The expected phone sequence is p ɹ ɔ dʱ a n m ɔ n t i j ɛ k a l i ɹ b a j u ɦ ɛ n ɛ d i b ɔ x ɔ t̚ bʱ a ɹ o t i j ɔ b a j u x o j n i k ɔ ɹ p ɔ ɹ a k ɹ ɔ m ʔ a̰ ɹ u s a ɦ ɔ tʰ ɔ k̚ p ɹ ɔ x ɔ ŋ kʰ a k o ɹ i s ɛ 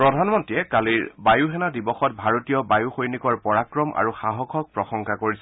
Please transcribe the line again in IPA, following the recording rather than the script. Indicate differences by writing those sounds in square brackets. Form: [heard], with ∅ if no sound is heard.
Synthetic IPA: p ɹ ɔ dʱ a n m ɔ n t i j ɛ k a l i ɹ b a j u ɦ ɛ n [a] d i b ɔ x ɔ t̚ bʱ a ɹ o t i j ɔ b a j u x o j n i k ɔ ɹ p ɔ ɹ a k ɹ ɔ m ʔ a̰ ɹ u [x] a ɦ ɔ [kʰ] ɔ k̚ p ɹ ɔ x ɔ ŋ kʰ a k o ɹ i s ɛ